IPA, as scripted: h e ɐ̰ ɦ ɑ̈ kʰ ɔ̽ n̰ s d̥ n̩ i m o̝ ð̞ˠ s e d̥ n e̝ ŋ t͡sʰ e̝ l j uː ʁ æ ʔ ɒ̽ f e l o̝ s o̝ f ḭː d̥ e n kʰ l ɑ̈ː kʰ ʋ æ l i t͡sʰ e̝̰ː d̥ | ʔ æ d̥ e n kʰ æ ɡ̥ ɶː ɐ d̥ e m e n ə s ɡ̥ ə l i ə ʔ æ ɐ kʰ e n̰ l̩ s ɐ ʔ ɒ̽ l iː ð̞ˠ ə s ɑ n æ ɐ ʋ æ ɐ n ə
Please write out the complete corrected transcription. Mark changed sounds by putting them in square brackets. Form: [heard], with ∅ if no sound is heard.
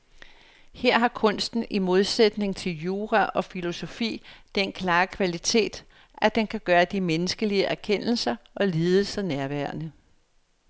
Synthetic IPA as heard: h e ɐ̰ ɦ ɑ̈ kʰ ɔ̽ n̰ s d̥ n̩ i m o̝ ð̞ˠ s e d̥ n e̝ ŋ t͡sʰ e̝ l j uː ʁ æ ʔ ɒ̽ f [i] l o̝ s o̝ f ḭː d̥ e n kʰ l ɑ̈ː kʰ ʋ æ l i t͡sʰ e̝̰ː d̥ | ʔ æ d̥ e n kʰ æ ɡ̥ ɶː ɐ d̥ [i] m e n ə s ɡ̥ ə l i ə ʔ æ ɐ kʰ e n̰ l̩ s ɐ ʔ ɒ̽ l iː ð̞ˠ ə s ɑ n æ ɐ ʋ æ ɐ n ə